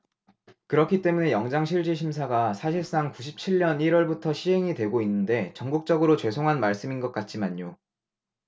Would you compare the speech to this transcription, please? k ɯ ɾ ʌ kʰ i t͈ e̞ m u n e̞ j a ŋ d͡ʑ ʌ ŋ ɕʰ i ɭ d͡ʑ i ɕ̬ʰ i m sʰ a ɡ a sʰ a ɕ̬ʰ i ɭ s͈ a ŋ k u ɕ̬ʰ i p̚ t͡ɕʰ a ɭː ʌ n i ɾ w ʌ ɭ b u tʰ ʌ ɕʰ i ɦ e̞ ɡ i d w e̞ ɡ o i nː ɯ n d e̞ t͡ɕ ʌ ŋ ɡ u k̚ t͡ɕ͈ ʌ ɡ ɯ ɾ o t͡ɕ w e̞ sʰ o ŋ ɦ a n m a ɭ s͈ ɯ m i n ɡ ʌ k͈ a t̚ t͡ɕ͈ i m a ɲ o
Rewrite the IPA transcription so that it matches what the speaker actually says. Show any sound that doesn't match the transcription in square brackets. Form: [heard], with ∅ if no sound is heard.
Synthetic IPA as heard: k ɯ ɾ ʌ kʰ i t͈ e̞ m u n e̞ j [ʌ] ŋ d͡ʑ [a] ŋ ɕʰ i ɭ d͡ʑ i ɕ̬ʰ i m sʰ a ɡ a sʰ a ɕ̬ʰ i ɭ s͈ a ŋ k u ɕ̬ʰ i p̚ t͡ɕʰ [i] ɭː ʌ n i ɾ w ʌ ɭ b u tʰ ʌ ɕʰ i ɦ e̞ [ŋ] i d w e̞ ɡ o i nː ɯ n d e̞ t͡ɕ ʌ ŋ ɡ u k̚ t͡ɕ͈ ʌ ɡ ɯ ɾ o t͡ɕ w e̞ sʰ o ŋ ɦ a n m a ɭ s͈ ɯ m i n ɡ ʌ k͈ a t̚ t͡ɕ͈ i m a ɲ o